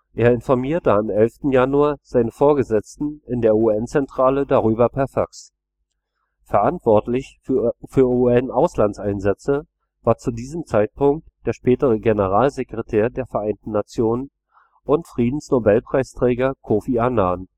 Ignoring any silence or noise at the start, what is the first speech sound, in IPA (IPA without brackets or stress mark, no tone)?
ʔ